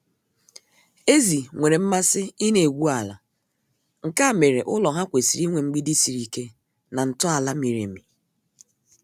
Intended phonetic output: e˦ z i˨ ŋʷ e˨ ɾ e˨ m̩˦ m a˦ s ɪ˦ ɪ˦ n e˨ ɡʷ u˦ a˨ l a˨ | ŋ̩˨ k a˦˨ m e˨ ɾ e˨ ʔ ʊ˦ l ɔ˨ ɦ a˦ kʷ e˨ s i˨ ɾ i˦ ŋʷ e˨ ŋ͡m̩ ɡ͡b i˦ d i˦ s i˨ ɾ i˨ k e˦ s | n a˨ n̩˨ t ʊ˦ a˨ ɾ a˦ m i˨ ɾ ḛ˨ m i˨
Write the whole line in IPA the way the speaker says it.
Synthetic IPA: e˦ z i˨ ŋʷ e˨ ɾ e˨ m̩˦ m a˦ s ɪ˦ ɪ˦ n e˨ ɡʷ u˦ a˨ l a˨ | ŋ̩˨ k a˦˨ m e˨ ɾ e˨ ʔ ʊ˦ l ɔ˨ ɦ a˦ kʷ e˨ s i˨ ɾ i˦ ŋʷ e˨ ŋ͡m̩ ɡ͡b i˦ d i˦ s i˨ ɾ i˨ k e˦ | n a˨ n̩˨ t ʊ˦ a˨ l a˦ m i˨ ɾ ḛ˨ m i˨

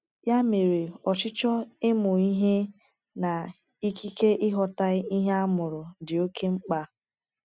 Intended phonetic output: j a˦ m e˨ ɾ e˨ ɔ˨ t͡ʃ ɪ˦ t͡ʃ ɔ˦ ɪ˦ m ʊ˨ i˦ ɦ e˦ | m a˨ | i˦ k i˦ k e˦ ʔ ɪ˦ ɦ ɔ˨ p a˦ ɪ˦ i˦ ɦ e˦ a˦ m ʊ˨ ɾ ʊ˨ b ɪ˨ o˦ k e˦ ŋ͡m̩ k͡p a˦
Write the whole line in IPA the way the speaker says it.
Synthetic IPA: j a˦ m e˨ ɾ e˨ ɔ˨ t͡ʃ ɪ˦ t͡ʃ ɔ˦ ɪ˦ m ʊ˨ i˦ ɦ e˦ | n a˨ | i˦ k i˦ k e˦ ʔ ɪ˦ ɦ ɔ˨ t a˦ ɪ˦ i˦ ɦ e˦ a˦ m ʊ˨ ɾ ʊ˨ d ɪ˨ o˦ k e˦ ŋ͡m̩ k͡p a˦

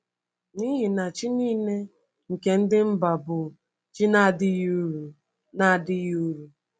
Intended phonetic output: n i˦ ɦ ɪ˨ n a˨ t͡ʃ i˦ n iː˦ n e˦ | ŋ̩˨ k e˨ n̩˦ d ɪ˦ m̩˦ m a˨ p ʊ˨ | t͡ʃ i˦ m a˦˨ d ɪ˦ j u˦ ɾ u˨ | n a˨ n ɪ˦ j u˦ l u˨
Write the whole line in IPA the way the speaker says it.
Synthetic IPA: n i˦ ɦ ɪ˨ n a˨ t͡ʃ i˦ n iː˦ n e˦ | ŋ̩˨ k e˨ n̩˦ d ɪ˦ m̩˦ b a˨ b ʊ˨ | t͡ʃ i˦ n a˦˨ d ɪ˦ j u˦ ɾ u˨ | n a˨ d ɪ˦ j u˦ ɾ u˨

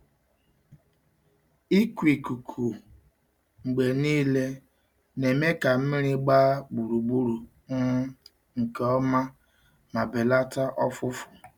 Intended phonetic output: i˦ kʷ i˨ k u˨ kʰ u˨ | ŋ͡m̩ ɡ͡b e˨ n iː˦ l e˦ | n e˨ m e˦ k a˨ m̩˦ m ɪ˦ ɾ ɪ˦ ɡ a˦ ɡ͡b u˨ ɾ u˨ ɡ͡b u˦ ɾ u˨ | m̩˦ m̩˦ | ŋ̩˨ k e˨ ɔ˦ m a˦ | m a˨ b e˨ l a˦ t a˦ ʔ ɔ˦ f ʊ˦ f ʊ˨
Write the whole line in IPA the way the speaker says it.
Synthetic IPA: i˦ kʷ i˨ k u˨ kʰ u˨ | ŋ͡m̩ ɡ͡b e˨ n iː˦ l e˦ | n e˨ m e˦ k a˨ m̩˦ m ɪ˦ ɾ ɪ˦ ɡ͡b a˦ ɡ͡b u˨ ɾ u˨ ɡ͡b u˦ ɾ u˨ | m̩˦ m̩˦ | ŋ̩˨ k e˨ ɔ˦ m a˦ | m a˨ b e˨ l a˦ t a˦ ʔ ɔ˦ f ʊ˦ f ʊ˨

